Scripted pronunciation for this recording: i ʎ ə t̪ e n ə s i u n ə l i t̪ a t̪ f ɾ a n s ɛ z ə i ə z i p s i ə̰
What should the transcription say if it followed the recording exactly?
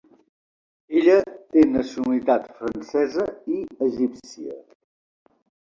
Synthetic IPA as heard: e ʎ ə t̪ e n ə s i u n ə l i t̪ a t̪ f ɾ ə n s ɛ z ə i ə ʒ i p s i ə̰